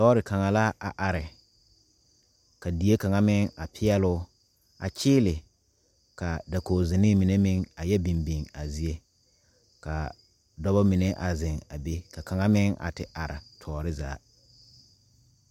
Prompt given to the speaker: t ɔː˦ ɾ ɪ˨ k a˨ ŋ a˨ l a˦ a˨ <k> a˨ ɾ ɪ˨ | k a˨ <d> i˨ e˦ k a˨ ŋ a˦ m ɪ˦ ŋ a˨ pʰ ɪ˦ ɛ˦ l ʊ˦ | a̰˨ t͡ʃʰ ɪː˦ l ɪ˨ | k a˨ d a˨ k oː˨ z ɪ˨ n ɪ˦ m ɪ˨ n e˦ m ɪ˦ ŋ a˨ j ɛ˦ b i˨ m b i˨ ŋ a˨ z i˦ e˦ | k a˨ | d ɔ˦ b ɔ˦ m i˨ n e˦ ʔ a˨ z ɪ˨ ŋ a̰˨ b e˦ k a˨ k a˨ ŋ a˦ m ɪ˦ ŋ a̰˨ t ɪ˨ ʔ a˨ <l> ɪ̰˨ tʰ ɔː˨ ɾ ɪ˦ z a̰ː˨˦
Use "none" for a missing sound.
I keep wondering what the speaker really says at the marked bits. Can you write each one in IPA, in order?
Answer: ʔ, d, ɾ

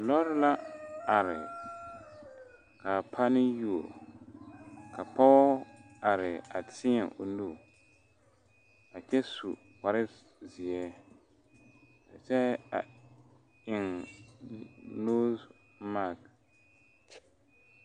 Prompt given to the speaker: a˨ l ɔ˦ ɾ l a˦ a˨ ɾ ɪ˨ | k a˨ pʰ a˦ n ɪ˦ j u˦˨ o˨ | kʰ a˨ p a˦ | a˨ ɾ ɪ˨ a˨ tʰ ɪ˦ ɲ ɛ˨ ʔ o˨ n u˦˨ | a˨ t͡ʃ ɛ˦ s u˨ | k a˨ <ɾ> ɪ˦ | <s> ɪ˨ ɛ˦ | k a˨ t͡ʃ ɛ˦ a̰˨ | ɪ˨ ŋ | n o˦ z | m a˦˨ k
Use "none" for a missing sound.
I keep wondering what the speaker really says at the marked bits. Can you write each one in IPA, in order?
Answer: ɾ, z

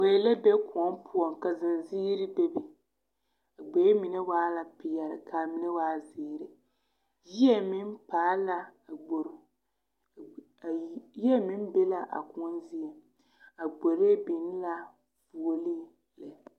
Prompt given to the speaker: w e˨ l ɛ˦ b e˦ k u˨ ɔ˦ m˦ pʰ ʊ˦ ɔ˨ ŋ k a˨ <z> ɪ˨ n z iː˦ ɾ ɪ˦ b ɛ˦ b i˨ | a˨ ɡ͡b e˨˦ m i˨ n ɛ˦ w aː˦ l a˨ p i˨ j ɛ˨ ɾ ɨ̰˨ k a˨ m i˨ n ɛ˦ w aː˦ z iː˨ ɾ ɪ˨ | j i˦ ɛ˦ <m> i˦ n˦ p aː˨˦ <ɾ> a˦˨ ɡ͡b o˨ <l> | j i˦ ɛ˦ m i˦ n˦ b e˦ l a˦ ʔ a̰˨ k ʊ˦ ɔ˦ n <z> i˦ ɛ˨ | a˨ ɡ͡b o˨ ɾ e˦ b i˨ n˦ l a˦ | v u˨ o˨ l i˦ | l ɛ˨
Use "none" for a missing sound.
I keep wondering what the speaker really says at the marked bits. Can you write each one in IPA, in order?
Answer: z, m, l, ɾ, z

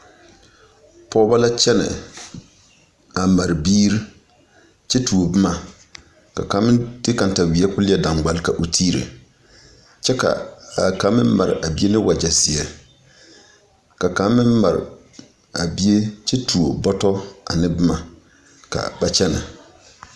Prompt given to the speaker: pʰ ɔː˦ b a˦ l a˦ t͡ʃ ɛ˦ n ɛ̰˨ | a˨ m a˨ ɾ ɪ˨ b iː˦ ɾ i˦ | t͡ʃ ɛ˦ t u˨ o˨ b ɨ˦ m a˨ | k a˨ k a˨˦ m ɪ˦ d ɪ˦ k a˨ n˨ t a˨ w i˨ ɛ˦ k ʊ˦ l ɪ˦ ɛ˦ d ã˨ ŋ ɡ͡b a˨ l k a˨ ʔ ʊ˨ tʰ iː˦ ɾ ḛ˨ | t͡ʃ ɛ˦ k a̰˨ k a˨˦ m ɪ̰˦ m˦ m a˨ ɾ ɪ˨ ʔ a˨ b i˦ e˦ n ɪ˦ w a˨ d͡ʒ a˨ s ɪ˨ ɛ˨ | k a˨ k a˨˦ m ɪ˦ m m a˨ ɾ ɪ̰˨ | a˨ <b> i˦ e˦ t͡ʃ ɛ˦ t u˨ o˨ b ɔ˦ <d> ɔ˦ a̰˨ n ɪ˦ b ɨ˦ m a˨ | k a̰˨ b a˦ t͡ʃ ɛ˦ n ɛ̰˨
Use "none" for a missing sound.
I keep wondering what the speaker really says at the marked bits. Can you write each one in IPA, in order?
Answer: b, t

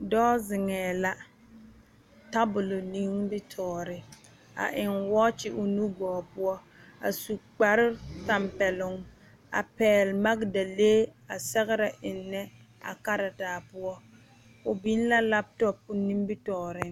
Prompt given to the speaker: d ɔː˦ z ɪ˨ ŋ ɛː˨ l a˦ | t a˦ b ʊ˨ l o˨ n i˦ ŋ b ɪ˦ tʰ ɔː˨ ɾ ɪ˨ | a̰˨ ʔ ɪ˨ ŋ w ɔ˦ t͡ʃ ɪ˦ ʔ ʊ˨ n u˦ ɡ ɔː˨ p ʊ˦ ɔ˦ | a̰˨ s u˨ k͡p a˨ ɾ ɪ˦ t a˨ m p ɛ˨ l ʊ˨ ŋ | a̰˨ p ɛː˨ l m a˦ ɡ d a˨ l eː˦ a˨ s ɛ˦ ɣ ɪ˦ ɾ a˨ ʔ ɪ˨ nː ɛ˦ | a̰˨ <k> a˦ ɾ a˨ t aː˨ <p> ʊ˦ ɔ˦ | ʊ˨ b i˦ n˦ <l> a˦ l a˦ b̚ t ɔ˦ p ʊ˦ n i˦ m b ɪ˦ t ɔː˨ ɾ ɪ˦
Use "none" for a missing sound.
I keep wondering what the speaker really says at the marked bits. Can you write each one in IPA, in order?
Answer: k, p, l

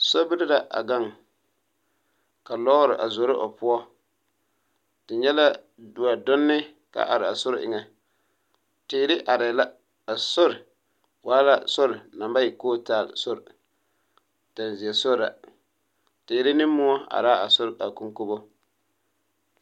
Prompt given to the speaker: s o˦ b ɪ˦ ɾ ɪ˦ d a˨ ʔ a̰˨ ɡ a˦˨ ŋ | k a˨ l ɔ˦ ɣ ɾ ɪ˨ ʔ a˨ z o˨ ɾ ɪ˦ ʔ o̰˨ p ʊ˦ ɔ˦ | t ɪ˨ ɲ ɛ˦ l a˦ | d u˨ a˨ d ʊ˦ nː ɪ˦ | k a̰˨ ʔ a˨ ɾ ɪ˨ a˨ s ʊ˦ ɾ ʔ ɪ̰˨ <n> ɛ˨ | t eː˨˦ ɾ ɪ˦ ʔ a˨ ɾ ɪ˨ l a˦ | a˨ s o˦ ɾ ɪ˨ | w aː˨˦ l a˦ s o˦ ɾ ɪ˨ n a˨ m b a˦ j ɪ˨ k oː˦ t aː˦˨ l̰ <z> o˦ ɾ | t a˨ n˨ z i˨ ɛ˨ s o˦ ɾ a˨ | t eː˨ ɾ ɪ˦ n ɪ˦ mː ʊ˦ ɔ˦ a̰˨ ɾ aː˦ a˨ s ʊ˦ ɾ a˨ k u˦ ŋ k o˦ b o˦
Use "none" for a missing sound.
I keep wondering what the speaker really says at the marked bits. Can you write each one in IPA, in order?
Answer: ŋ, s

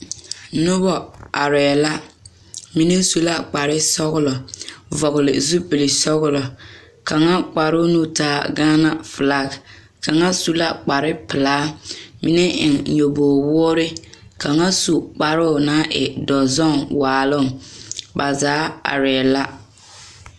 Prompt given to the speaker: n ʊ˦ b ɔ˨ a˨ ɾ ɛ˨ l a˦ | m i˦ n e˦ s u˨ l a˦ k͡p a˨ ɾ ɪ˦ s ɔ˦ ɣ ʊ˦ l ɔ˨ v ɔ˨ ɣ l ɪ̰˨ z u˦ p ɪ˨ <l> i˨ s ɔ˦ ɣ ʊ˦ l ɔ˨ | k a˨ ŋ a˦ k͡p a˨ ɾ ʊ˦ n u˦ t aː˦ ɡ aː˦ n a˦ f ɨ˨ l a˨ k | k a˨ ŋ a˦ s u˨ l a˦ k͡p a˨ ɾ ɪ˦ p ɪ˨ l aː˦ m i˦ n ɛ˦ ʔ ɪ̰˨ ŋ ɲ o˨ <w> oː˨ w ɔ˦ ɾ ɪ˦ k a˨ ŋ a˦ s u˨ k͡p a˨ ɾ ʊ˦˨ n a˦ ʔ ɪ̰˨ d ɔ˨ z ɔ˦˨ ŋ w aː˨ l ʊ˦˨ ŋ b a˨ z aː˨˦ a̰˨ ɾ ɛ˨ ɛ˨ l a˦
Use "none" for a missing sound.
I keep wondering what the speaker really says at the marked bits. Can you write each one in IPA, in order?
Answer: l, b

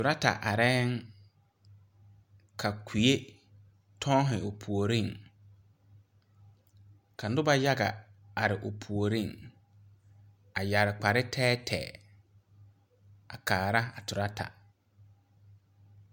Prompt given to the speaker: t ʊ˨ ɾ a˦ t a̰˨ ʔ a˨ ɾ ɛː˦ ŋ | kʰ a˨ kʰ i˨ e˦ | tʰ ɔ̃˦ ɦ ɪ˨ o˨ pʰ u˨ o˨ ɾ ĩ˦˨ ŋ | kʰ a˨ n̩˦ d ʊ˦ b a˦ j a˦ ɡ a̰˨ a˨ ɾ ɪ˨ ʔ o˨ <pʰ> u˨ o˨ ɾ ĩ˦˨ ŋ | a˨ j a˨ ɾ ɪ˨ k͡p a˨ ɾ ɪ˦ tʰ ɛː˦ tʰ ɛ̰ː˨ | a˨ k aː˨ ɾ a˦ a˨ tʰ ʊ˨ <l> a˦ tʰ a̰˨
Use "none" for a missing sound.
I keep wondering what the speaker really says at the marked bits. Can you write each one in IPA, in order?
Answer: pʰ, ɾ

